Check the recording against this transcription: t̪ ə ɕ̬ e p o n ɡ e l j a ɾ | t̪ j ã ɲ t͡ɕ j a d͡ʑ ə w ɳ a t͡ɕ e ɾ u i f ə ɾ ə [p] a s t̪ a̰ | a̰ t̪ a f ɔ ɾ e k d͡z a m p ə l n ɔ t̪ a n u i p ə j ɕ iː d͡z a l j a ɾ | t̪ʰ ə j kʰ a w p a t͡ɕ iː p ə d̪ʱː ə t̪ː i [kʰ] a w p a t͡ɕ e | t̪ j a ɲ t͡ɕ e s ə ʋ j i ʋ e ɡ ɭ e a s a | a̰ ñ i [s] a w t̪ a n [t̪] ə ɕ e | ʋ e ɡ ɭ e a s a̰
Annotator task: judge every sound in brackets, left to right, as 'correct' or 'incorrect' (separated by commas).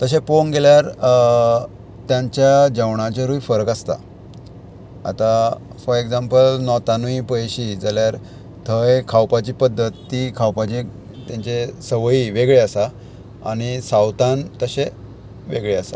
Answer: incorrect, correct, correct, correct